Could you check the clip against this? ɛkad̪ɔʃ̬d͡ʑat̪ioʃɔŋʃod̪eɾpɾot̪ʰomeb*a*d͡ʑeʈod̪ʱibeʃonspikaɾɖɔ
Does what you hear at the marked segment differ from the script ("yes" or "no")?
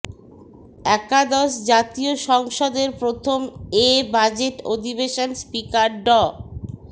no